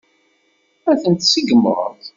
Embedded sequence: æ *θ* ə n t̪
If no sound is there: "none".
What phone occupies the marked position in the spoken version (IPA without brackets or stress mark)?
θ